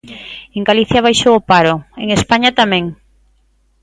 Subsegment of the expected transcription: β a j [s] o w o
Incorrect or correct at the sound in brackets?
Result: incorrect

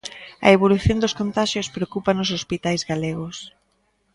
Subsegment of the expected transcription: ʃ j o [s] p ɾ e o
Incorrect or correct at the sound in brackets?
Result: correct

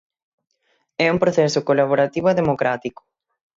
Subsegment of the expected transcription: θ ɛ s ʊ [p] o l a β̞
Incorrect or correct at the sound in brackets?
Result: incorrect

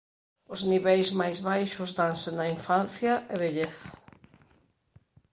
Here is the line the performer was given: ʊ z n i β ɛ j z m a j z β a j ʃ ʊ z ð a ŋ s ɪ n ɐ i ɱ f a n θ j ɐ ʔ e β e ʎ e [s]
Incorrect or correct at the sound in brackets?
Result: incorrect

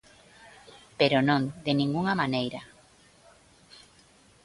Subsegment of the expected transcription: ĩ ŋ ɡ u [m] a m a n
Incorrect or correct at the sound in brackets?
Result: incorrect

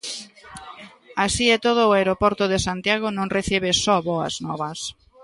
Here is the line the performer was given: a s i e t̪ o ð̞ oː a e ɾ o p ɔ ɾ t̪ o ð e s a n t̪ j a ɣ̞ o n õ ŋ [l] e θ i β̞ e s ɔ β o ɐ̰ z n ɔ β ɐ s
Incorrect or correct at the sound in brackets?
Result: incorrect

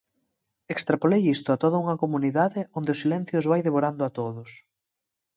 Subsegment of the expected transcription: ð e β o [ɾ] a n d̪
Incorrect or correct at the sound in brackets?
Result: correct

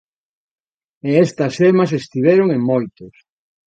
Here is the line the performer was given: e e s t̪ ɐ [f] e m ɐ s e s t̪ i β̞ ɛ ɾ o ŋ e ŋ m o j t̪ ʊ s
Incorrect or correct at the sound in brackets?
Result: incorrect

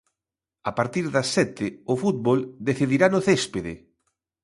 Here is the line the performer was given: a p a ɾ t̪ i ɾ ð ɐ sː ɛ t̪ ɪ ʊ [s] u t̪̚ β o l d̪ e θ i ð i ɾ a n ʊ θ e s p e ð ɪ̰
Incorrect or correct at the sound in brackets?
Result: incorrect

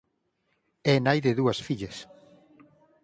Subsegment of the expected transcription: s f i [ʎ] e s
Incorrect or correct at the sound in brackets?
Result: correct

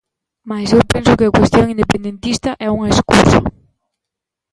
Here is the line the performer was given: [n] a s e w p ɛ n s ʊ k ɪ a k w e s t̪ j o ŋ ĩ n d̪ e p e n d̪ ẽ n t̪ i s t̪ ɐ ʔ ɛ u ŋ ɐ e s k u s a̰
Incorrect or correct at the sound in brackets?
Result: incorrect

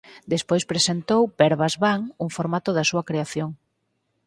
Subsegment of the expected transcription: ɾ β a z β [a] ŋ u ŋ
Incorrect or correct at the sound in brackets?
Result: correct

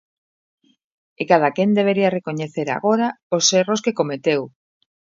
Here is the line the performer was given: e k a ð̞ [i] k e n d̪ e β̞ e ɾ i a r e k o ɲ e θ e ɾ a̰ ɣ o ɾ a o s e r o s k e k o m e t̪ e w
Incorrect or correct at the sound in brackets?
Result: incorrect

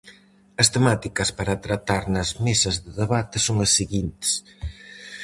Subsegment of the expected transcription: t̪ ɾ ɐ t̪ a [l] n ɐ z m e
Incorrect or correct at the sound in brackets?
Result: incorrect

